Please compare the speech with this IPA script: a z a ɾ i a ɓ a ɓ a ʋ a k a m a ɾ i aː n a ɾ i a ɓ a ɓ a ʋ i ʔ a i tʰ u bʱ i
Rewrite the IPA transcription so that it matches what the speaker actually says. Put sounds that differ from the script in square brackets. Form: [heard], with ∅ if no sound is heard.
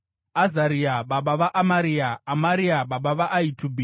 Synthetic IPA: a z a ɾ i a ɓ a ɓ a ʋ a [ʔ] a m a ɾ i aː [m] a ɾ i a ɓ a ɓ a ʋ [a] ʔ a i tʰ u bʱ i